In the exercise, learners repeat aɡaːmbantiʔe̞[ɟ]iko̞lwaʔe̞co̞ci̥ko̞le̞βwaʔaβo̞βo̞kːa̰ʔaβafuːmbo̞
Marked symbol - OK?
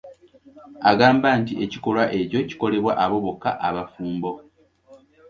no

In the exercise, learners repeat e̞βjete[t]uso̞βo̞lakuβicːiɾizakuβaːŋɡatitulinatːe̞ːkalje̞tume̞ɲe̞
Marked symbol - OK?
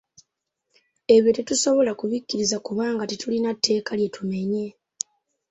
yes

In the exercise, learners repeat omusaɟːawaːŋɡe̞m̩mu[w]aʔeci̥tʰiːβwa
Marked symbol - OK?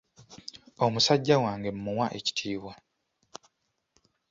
yes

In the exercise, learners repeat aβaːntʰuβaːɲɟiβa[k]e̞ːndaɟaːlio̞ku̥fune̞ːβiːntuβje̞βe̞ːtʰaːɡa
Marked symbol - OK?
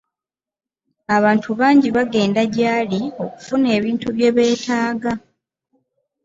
no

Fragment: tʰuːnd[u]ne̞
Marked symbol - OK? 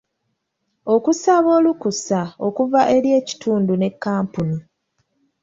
yes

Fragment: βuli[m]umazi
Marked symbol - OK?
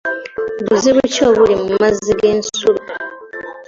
yes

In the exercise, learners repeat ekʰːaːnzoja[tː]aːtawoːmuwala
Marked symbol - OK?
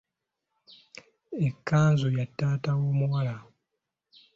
yes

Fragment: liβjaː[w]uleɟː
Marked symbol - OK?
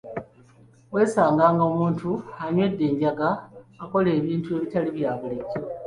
no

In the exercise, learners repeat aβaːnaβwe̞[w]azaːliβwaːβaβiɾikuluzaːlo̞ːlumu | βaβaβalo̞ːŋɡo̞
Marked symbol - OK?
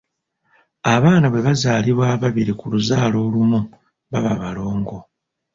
no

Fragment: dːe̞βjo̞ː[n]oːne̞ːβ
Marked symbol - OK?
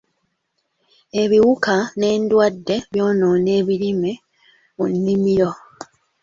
yes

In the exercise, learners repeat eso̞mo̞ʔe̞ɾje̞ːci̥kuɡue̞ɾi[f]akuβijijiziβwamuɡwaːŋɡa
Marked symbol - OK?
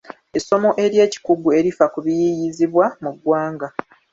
yes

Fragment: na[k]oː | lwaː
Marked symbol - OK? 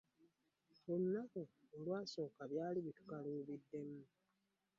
yes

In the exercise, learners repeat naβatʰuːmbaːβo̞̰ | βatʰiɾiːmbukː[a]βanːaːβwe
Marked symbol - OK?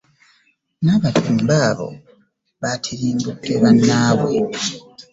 no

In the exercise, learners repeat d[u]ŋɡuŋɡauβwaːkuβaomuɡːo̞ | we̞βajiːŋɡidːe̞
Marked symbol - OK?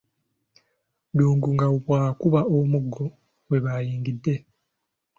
no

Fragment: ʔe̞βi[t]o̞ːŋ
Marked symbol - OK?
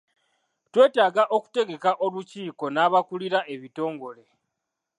yes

